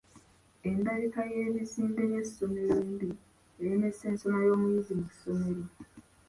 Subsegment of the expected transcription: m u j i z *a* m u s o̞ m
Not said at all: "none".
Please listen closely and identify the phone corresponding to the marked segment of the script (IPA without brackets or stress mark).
i